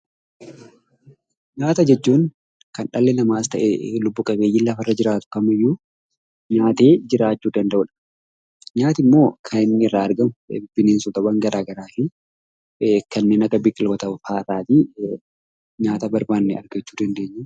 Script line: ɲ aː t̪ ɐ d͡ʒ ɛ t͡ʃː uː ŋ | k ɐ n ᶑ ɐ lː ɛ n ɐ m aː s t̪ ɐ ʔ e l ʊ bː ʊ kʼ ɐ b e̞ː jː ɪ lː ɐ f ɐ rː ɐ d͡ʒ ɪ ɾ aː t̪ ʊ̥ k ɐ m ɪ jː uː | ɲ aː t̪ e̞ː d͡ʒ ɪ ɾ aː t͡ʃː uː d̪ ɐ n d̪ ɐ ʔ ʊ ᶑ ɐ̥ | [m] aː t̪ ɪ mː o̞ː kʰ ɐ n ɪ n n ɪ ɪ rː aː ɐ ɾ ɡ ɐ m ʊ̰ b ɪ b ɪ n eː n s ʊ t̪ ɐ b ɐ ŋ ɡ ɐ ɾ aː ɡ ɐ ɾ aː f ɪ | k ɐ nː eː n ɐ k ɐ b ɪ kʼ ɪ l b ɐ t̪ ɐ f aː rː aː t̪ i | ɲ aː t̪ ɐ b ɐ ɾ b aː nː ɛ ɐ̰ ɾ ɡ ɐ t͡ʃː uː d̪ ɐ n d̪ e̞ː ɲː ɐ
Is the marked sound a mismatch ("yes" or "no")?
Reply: yes